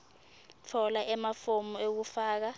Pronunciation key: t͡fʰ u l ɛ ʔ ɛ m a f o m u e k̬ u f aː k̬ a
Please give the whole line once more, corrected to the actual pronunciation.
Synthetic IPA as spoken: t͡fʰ ɔ l a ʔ ɛ m a f o m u e k̬ u f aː k̬ a